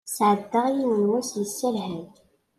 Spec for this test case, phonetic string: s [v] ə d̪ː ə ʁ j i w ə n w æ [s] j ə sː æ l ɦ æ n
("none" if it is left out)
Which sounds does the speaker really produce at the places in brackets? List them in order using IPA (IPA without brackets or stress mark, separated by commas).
ʕ, s